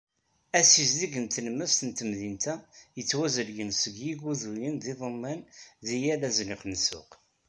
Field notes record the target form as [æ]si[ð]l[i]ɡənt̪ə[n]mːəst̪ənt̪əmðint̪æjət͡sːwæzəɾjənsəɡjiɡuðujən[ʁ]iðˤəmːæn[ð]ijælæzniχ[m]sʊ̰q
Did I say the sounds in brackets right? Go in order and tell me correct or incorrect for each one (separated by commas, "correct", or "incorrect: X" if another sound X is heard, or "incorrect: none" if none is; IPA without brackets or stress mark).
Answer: correct, incorrect: z, correct, correct, incorrect: ð, correct, incorrect: n